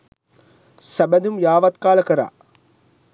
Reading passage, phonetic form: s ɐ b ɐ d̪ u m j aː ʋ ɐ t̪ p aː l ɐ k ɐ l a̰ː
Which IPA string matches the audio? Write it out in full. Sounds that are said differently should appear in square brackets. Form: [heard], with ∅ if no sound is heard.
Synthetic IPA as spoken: s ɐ b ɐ d̪ u m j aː ʋ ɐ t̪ [k] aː l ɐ k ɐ [ɾ] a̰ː